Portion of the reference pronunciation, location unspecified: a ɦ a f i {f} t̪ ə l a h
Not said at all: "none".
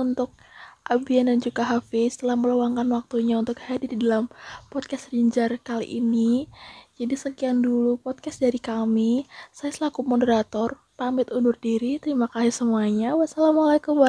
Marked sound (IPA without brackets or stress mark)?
s